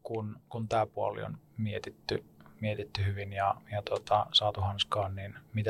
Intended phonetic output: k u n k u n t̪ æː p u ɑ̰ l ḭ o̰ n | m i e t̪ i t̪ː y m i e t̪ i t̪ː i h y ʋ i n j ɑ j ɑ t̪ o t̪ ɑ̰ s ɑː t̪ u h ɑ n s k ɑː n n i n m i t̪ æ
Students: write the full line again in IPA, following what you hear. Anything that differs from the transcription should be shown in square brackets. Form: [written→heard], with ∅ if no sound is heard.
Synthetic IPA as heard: k u n k u n t̪ æː p u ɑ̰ l ḭ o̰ n | m i e t̪ i t̪ː y m i e t̪ i t̪ː [i→y] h y ʋ i n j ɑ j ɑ t̪ o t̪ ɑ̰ s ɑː t̪ u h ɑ n s k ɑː n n i n m i t̪ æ